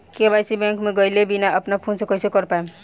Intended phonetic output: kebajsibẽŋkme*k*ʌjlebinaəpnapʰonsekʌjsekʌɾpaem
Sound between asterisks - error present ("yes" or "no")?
yes